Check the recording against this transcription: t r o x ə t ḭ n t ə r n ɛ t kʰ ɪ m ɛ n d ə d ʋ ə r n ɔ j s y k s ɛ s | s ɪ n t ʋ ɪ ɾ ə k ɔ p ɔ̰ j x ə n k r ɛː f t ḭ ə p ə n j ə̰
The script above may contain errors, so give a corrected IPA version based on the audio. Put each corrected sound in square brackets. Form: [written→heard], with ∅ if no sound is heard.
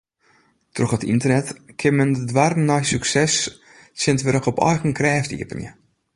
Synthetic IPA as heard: t r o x ə t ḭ n t ə r n ɛ t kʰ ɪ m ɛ n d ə d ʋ [ə→a] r n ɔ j s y k s ɛ s | s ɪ n t ʋ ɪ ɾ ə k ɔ p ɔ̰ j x ə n k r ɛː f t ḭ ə p ə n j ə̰